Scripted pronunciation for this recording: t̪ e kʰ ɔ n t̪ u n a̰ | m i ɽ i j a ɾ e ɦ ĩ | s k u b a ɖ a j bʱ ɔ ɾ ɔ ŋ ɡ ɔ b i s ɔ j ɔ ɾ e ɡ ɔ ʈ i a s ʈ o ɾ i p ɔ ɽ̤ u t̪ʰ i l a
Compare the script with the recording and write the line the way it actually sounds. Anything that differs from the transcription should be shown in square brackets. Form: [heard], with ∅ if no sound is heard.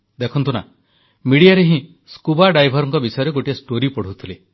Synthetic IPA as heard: [d̪] e kʰ ɔ n t̪ u n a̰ | m i ɽ i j a ɾ e ɦ ĩ | s k u b a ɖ a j bʱ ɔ ɾ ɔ ŋ [k] ɔ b i s ɔ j ɔ ɾ e ɡ [o] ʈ i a s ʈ o ɾ i p ɔ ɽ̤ u t̪ʰ i l [e]

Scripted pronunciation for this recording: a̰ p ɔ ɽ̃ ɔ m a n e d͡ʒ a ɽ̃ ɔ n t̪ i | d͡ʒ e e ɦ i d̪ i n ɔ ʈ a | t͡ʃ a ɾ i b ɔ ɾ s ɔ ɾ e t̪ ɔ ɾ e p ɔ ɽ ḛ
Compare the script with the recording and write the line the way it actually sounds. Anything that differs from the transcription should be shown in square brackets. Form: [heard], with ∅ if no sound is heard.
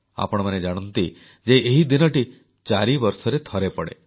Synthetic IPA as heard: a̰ p ɔ ɽ̃ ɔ m a n e d͡ʒ a ɽ̃ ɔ n t̪ i | d͡ʒ e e ɦ i d̪ i n ɔ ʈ [i] | t͡ʃ a ɾ i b ɔ ɾ s ɔ ɾ e [t̪ʰ] ɔ ɾ e p ɔ ɽ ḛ

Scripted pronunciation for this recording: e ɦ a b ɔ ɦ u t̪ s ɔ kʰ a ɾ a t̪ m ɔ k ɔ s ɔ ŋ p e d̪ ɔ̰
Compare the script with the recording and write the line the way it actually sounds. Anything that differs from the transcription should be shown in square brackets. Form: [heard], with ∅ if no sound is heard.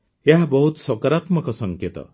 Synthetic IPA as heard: e ɦ a b ɔ ɦ u t̪ s ɔ [k] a ɾ a t̪ m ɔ k ɔ s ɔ ŋ [k] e [t̪] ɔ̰

